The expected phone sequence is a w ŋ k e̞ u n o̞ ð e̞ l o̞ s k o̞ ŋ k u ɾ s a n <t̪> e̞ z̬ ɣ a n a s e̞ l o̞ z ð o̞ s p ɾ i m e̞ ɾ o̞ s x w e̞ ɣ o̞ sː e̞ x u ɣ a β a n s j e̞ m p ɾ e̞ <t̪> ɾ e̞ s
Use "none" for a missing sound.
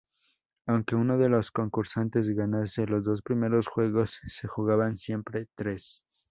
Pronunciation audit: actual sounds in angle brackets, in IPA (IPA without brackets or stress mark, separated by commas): t̪, t̪